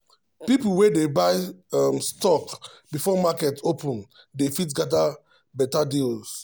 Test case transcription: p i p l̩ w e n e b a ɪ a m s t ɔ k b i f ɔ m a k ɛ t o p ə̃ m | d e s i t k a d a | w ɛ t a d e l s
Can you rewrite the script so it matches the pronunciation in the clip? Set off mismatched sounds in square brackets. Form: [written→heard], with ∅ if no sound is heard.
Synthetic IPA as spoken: p i p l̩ w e [n→d] e b a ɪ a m s t ɔ k b i f ɔ m a k ɛ t o p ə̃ [m→n] | d e [s→f] i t [k→ɡ] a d a | [w→b] ɛ t a d [e→i] l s